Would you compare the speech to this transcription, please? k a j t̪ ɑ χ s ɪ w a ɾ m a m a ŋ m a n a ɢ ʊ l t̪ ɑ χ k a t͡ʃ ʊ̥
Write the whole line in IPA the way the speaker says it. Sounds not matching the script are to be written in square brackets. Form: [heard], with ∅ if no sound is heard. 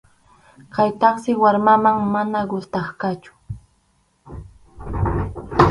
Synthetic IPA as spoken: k a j t̪ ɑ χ s ɪ w a ɾ m a m a ŋ m a n a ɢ ʊ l t̪ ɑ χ k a t͡ʃ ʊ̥